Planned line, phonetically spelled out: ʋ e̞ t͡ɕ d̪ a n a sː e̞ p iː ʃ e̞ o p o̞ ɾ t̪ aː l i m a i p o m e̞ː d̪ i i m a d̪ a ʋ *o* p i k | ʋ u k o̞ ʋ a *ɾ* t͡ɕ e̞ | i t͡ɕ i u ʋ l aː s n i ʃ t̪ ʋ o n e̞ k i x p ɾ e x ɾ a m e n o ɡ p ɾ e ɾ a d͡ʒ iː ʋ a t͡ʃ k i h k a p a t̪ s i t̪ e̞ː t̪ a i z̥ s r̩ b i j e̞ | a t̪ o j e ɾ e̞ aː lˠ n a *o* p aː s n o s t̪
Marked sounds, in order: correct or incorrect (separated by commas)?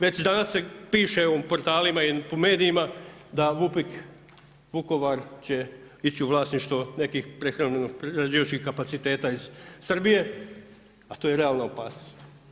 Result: incorrect, correct, correct